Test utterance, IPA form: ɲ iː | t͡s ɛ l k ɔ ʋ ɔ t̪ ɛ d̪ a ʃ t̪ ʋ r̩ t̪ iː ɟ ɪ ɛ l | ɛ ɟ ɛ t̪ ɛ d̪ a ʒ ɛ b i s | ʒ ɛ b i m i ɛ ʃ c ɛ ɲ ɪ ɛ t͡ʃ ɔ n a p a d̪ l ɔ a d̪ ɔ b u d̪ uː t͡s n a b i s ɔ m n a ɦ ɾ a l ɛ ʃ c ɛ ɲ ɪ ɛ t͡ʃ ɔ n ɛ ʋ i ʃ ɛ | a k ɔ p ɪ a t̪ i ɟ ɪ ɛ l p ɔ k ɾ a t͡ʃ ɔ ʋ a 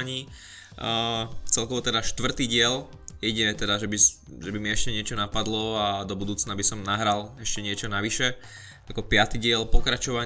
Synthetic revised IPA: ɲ iː | t͡s ɛ l k ɔ ʋ ɔ t̪ ɛ d̪ a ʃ t̪ ʋ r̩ t̪ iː ɟ ɪ ɛ l | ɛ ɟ ɛ t̪ ɛ d̪ a ʒ ɛ b i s | ʒ ɛ b i m i ɛ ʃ c ɛ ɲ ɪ ɛ t͡ʃ ɔ n a p a d̪ l ɔ a d̪ ɔ b u d̪ uː t͡s n a b i s ɔ m n a ɦ ɾ a l ɛ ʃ c ɛ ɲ ɪ ɛ t͡ʃ ɔ n a ʋ i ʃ ɛ | a k ɔ p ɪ a t̪ i ɟ ɪ ɛ l p ɔ k ɾ a t͡ʃ ɔ ʋ a